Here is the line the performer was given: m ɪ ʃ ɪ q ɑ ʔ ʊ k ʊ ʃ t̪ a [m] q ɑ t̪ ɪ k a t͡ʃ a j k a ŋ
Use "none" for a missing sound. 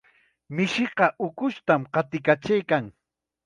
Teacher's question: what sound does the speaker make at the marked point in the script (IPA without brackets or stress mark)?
m